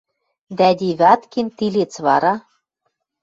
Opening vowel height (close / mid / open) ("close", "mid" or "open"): open